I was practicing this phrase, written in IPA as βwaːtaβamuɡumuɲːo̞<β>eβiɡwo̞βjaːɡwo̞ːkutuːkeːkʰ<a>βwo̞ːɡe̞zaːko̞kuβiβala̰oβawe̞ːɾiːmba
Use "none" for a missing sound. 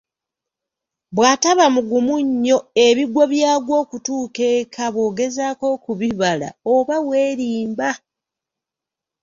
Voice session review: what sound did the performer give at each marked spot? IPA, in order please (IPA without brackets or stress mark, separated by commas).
none, a